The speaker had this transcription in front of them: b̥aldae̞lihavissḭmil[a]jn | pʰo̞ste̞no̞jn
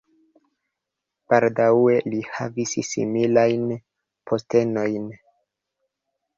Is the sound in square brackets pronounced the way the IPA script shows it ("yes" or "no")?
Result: yes